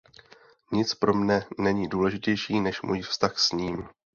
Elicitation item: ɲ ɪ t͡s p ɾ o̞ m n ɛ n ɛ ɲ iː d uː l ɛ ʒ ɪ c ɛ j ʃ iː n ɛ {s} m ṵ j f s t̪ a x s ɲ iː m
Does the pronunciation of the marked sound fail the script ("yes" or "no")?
yes